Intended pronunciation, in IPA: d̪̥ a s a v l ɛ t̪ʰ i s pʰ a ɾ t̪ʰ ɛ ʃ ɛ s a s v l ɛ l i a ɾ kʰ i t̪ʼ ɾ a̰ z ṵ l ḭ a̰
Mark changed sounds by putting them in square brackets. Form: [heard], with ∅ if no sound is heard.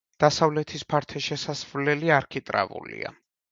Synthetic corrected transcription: d̪̥ a s a v l ɛ t̪ʰ i s pʰ a ɾ t̪ʰ ɛ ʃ ɛ s a s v l ɛ l i a ɾ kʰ i t̪ʼ ɾ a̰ [v] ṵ l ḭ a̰